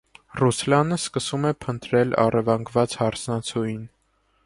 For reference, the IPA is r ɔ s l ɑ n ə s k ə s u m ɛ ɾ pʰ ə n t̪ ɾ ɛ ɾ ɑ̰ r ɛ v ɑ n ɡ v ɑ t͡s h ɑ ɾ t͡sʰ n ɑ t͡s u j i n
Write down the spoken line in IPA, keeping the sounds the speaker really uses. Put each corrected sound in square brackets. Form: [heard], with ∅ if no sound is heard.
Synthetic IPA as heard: r [u] s l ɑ n ə s k ə s u m ɛ [∅] pʰ ə n t̪ ɾ ɛ [l] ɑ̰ r ɛ v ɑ [ŋ] ɡ v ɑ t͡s h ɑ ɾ t͡sʰ n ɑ [t͡sʰ] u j i n